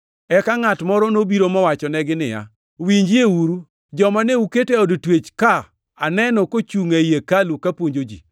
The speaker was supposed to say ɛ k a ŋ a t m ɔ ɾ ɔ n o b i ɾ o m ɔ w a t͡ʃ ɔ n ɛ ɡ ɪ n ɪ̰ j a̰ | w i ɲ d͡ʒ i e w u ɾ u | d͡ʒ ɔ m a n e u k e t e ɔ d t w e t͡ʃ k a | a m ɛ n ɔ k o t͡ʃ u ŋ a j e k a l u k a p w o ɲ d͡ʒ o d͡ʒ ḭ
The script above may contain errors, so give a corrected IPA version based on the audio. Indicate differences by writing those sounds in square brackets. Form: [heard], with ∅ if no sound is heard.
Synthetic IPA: ɛ k a ŋ a t m ɔ ɾ ɔ n o b i ɾ o m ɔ w a t͡ʃ ɔ n ɛ ɡ ɪ n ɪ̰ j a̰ | w i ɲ d͡ʒ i e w u ɾ u | d͡ʒ ɔ m a n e u k e t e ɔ d t w e t͡ʃ k a | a [n] ɛ n ɔ k o t͡ʃ u ŋ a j e k a l u k a p w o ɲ d͡ʒ o d͡ʒ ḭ